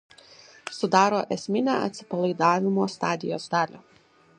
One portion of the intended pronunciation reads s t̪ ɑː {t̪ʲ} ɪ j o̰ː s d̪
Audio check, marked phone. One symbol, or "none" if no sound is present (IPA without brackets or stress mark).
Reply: d̪ʲ